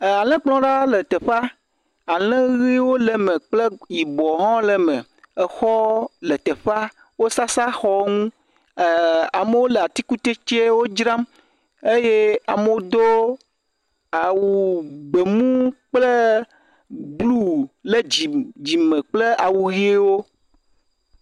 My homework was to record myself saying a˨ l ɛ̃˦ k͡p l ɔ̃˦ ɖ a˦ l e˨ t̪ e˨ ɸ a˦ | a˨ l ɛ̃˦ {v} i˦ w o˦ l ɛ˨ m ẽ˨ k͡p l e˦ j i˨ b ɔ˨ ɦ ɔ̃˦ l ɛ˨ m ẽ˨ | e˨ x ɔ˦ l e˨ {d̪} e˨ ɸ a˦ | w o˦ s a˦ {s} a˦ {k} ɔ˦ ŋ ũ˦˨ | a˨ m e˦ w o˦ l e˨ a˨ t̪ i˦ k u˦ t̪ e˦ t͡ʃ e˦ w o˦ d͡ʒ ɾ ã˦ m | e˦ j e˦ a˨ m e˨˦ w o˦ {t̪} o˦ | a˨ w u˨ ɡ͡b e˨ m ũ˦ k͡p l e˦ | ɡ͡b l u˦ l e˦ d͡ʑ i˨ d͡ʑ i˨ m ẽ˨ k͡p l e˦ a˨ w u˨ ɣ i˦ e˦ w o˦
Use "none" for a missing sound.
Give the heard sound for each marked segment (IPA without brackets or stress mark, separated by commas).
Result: ɣ, t̪, s, x, d̪